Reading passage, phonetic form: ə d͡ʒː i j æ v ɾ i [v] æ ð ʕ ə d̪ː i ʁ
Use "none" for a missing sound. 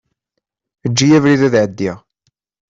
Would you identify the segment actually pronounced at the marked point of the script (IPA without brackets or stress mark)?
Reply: ð